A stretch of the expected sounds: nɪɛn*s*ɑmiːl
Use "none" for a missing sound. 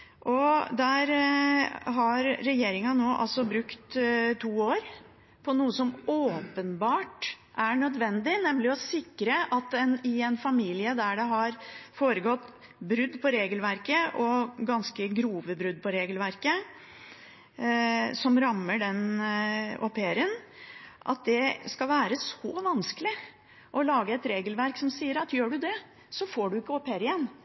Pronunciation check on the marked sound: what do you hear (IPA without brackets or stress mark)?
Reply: f